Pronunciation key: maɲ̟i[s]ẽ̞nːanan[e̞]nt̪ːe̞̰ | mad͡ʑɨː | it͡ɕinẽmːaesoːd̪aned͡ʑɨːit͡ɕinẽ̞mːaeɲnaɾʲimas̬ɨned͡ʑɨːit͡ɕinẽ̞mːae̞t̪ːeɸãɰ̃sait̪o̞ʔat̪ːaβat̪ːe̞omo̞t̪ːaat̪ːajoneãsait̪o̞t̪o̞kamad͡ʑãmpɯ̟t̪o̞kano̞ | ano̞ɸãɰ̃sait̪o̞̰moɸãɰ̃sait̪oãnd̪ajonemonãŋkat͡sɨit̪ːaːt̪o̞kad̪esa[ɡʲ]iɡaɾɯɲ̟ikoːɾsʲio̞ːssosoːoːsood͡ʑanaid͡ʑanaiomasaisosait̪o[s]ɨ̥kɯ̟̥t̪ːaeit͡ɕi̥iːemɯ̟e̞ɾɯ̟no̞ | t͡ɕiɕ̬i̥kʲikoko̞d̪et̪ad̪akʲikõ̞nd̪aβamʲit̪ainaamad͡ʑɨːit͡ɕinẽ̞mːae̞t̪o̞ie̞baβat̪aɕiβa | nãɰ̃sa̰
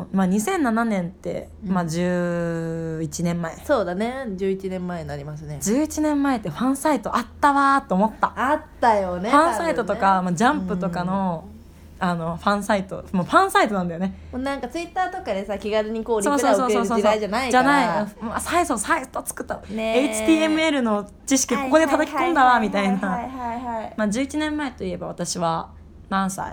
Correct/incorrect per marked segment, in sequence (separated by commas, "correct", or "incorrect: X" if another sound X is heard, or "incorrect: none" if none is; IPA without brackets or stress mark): correct, incorrect: ẽ̞, incorrect: kʲ, incorrect: t͡s